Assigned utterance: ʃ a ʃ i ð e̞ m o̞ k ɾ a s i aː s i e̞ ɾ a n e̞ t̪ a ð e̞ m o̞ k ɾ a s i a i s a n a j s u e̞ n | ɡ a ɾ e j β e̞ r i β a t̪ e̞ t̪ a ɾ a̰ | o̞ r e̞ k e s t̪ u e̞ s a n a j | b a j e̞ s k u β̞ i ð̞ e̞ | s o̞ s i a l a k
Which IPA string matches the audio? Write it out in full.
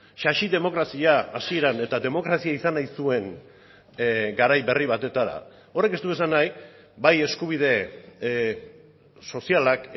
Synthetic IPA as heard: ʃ a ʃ i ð e̞ m o̞ k ɾ a s i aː s i e̞ ɾ a n e̞ t̪ a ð e̞ m o̞ k ɾ a s i a i s a n a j s u e̞ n | ɡ a ɾ a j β e̞ r i β a t̪ e̞ t̪ a ɾ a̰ | o̞ r e̞ k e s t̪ u e̞ s a n a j | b a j e̞ s k u β̞ i ð̞ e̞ | s o̞ s i a l a k